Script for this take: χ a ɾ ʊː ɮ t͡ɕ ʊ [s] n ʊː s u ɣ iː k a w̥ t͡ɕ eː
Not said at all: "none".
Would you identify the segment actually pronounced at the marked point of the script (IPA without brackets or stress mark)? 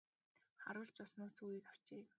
s